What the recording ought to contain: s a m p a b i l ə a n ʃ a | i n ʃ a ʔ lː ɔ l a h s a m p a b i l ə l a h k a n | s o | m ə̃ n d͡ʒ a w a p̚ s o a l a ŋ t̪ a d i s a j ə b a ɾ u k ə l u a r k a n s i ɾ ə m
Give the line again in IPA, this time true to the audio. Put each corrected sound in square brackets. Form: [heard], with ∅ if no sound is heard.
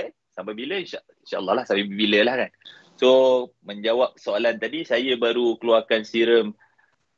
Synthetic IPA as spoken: s a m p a b i l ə [i] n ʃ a | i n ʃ a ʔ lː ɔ l a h s a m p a b i l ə l a h k a n | s o | m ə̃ [ɲ] d͡ʒ a w a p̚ s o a l a [n] t̪ a d i s a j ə b a ɾ u k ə l u a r k a n s i ɾ ə m